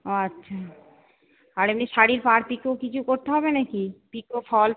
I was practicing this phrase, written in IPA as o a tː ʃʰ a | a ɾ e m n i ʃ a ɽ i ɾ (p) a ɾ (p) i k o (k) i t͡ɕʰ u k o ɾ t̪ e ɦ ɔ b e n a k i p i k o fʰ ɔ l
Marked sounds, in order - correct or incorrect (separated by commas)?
correct, correct, correct